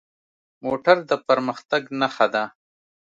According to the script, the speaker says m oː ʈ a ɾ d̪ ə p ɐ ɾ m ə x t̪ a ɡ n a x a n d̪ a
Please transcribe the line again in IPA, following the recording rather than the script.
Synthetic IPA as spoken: m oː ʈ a ɾ d̪ ə p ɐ ɾ m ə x t̪ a ɡ n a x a d̪ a